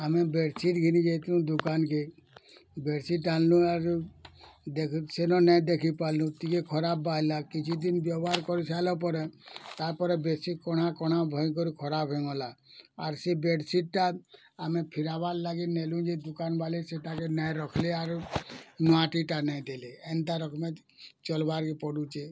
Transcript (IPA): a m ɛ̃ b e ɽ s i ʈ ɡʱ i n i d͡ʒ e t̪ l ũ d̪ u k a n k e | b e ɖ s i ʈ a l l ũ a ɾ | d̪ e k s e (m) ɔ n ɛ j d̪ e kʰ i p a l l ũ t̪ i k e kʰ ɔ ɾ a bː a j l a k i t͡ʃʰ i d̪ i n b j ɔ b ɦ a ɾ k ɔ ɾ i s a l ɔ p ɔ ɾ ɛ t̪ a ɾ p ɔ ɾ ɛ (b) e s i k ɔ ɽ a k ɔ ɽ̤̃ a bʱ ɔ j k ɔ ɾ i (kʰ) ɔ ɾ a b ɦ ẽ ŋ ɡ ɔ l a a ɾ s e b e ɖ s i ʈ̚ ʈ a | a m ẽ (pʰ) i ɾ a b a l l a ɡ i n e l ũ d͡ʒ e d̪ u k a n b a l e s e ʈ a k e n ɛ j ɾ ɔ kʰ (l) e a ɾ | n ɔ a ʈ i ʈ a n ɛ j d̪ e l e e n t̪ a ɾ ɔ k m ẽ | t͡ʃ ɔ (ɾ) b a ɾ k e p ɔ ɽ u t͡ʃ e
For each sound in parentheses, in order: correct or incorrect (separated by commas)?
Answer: incorrect, correct, correct, correct, correct, incorrect